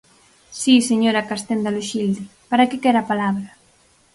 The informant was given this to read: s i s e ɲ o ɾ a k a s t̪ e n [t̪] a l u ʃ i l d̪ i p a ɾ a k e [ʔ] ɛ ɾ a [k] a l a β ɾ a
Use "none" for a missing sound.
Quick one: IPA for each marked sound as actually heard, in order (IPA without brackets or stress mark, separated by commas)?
d̪, k, p